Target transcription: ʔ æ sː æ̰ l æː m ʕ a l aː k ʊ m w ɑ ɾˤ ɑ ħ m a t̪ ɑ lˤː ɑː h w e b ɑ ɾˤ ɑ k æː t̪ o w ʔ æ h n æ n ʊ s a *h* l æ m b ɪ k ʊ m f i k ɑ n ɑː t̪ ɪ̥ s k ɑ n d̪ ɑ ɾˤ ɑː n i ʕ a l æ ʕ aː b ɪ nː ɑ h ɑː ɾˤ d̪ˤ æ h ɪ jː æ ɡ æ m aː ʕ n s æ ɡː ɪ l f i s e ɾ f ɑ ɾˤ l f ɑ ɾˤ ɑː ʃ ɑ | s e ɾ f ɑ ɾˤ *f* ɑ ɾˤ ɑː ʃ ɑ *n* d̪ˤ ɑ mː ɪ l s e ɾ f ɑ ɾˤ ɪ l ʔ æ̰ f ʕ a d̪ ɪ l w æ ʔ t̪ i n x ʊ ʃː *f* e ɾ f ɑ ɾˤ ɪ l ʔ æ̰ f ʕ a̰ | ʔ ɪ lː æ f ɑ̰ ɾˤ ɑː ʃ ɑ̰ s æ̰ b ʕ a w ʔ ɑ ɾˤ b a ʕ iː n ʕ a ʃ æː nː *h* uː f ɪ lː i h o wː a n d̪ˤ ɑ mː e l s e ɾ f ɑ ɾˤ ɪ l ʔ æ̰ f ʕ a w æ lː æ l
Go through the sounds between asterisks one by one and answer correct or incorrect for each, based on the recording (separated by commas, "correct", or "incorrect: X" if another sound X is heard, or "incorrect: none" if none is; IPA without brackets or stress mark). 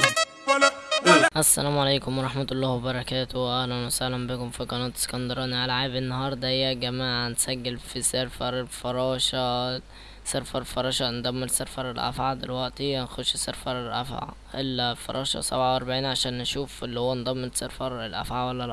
correct, correct, correct, incorrect: s, incorrect: ʃ